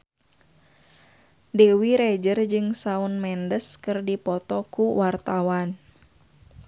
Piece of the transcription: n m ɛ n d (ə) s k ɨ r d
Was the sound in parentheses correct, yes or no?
yes